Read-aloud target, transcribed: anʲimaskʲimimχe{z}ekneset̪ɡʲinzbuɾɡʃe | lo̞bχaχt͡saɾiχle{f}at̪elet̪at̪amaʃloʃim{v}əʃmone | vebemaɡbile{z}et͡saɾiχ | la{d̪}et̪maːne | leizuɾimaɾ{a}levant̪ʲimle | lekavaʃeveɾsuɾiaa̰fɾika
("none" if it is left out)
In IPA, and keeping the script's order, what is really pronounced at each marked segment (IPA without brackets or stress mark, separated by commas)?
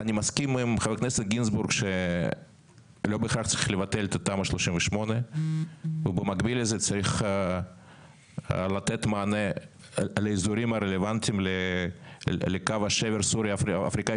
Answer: v, v, v, z, t̪, e